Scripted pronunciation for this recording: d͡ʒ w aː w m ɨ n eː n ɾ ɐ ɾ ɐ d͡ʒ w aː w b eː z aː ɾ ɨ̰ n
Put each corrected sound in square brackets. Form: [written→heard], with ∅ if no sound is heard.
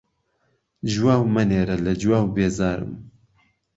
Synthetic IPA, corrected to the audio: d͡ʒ w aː w m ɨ n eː [n→∅] ɾ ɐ [ɾ→l] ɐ d͡ʒ w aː w b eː z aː ɾ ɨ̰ [n→m]